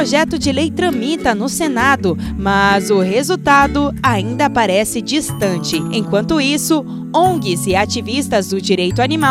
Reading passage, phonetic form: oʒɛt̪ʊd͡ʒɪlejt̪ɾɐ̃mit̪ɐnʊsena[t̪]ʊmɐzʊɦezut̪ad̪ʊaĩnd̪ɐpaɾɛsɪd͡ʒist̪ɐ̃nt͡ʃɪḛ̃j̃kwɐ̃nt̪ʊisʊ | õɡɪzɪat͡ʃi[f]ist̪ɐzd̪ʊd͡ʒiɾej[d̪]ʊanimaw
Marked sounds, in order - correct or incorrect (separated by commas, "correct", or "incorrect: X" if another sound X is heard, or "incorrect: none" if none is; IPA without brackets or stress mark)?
incorrect: d̪, incorrect: v, incorrect: t̪